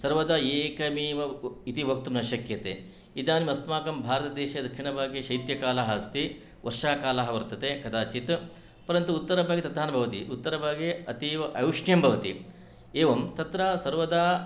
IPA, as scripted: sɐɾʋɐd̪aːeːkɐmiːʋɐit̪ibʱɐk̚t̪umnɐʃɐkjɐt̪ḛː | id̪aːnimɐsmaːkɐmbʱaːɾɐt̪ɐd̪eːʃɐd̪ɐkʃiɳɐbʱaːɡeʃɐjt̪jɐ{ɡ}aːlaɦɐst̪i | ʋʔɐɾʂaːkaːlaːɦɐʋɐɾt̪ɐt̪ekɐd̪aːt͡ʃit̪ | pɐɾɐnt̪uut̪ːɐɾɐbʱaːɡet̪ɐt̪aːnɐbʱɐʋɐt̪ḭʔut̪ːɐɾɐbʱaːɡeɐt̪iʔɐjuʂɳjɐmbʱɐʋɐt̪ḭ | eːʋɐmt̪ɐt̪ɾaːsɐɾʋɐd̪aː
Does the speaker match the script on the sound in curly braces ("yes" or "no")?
no